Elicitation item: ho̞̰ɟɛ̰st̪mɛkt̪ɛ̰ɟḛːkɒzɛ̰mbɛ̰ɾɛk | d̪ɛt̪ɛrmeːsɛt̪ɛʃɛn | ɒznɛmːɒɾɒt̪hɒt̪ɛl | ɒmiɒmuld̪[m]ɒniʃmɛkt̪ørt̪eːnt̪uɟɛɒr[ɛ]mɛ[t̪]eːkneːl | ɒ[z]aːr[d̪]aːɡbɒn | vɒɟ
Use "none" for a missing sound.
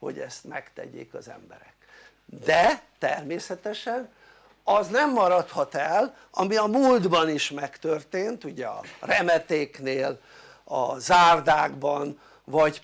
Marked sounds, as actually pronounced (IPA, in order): b, ɛ, t̪, z, d̪

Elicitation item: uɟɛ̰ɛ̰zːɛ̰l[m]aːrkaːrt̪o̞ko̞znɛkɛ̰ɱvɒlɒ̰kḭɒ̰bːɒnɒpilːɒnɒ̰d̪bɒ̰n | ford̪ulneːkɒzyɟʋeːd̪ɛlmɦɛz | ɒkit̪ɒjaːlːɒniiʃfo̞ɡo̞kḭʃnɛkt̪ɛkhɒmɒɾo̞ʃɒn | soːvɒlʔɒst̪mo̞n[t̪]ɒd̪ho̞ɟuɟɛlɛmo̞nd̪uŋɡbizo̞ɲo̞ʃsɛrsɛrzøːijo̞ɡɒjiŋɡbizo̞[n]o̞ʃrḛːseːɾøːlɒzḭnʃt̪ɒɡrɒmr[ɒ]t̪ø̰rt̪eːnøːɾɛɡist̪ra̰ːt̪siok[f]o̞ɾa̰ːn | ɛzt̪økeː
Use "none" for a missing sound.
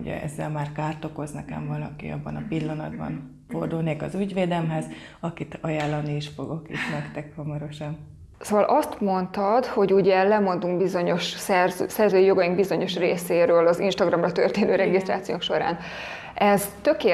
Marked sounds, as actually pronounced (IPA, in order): m, t̪, ɲ, ɒ, ʃ

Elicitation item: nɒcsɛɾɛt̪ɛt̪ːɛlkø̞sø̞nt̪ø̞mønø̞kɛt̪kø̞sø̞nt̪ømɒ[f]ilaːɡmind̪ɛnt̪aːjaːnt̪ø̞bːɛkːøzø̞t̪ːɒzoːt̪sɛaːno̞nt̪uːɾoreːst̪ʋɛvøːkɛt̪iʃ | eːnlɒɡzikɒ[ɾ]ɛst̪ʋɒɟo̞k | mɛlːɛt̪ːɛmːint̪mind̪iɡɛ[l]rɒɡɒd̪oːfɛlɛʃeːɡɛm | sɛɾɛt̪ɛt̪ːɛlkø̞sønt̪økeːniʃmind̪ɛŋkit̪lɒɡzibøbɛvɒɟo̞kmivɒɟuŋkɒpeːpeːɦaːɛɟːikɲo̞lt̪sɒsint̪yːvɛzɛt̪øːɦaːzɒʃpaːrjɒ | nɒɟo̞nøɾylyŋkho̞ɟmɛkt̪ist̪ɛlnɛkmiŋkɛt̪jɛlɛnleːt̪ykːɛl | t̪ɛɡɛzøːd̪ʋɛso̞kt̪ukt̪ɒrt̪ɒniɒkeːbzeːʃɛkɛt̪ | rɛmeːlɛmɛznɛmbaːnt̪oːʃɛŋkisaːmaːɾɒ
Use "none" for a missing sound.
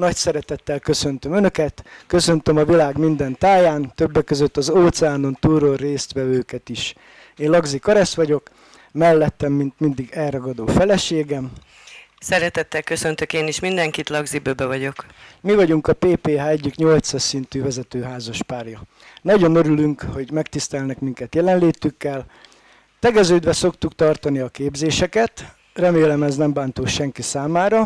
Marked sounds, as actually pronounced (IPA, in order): v, ɾ, l

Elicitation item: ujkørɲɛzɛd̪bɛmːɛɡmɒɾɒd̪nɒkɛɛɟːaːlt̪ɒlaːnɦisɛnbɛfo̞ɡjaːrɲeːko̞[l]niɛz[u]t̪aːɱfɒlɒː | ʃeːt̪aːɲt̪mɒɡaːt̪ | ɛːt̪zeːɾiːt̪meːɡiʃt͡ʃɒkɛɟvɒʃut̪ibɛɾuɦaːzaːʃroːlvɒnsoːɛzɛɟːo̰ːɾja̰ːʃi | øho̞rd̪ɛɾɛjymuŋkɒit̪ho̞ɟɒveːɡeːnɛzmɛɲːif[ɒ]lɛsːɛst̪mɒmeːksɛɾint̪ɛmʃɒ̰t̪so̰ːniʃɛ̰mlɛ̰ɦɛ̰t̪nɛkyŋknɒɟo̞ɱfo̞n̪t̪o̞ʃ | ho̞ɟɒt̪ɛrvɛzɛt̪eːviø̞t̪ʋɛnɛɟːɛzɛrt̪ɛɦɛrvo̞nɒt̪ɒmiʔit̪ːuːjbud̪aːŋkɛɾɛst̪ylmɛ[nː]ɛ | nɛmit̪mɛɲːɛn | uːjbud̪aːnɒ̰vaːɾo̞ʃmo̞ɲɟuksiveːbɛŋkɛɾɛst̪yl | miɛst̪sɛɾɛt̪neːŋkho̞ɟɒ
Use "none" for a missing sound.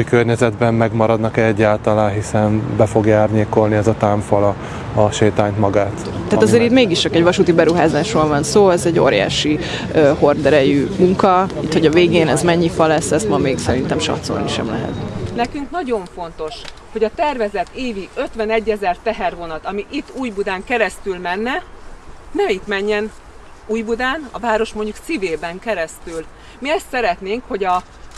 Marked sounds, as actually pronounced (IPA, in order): l, ɒ, ɒ, nː

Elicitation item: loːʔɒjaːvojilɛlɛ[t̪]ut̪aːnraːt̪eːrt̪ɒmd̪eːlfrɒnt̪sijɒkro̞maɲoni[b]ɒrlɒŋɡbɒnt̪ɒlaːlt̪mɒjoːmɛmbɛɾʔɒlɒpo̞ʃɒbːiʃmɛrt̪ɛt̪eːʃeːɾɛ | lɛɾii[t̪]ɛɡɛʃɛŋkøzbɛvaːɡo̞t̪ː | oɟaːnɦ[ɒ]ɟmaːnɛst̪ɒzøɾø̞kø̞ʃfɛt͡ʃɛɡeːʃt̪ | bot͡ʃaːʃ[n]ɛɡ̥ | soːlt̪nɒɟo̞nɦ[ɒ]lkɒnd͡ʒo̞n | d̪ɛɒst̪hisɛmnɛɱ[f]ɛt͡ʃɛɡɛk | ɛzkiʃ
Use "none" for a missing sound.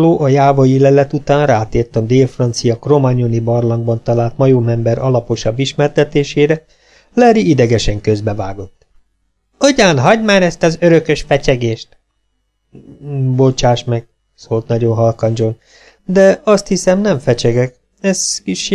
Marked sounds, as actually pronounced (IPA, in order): t̪, b, d̪, ɒ, m, ɒ, f

